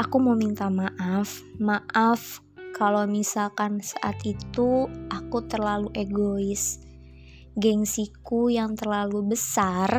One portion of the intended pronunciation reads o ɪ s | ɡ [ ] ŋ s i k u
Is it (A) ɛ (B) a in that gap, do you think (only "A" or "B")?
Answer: A